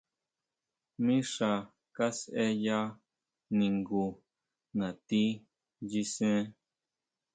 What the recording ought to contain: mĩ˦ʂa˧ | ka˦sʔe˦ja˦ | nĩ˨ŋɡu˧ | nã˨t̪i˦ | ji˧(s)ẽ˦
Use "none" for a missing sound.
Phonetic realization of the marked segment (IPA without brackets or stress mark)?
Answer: s